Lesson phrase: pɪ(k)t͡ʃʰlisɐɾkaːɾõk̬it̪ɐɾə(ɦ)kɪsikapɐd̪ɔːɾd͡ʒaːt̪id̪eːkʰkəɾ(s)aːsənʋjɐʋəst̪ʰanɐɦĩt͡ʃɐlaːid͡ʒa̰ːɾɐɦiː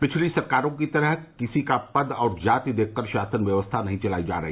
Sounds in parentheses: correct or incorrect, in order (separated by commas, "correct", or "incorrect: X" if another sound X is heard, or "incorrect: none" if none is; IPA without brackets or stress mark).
incorrect: none, correct, incorrect: ʃ